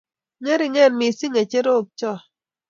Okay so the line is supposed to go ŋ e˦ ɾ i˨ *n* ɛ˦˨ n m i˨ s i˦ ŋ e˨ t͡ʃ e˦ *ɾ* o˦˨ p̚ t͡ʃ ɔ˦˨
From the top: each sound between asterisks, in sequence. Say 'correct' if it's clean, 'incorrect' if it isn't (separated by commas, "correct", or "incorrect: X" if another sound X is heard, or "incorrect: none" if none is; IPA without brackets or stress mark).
incorrect: ŋ, correct